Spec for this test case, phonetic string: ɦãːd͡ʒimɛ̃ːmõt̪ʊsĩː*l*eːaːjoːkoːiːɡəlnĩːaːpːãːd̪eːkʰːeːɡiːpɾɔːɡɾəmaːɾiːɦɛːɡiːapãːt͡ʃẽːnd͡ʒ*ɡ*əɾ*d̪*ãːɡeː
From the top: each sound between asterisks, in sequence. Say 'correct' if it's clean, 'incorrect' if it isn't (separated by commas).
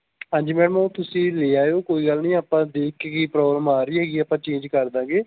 correct, incorrect, correct